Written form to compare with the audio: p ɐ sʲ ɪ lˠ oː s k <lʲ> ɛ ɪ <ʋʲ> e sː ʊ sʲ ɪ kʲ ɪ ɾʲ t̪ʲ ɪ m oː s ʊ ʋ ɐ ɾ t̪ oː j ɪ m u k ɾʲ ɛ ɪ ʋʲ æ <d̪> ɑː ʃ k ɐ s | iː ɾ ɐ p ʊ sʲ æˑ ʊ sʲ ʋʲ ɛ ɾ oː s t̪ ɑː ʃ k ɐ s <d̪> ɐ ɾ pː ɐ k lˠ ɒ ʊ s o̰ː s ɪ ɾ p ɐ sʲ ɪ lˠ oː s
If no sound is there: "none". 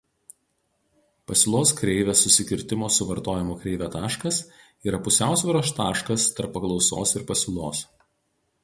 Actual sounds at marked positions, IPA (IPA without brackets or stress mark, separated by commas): ɾʲ, ʋʲ, t̪, t̪